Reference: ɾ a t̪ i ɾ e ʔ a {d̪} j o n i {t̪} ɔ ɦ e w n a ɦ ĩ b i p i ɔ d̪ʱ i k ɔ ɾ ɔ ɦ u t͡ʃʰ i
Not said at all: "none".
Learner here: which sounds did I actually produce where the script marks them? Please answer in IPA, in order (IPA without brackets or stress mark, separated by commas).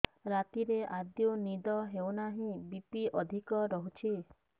d̪, d̪